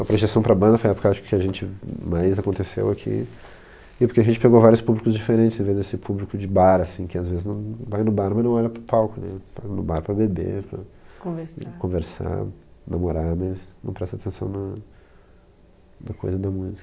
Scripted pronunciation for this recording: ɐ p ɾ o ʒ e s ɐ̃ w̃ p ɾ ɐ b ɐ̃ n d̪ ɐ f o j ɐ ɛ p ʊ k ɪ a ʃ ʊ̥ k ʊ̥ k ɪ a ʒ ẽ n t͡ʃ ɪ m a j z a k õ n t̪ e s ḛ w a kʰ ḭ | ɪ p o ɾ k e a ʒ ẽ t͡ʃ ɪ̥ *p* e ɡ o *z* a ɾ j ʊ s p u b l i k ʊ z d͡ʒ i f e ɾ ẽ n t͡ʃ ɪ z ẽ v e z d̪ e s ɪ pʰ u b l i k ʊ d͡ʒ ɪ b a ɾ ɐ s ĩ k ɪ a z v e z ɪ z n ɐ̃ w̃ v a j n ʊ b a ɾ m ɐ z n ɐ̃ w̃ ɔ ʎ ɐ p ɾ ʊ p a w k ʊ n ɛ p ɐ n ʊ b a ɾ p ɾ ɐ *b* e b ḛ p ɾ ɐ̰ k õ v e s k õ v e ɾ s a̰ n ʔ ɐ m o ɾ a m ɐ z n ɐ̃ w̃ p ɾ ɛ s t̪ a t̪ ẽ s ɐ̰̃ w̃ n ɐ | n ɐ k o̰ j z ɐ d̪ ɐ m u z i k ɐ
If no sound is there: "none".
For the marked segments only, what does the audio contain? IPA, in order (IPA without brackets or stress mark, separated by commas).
p, v, b